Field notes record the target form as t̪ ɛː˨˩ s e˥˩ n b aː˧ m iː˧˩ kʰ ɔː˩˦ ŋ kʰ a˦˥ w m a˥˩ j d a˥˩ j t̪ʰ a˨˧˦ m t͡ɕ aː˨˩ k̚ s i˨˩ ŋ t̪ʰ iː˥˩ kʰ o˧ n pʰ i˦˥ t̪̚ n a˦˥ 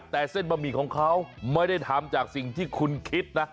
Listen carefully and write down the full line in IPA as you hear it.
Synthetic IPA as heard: t̪ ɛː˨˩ s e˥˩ n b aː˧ m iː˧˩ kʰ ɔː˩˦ ŋ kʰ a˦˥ w m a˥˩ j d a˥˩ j t̪ʰ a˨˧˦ m t͡ɕ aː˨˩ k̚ s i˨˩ ŋ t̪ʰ iː˥˩ kʰ u˧ n kʰ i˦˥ t̪̚ n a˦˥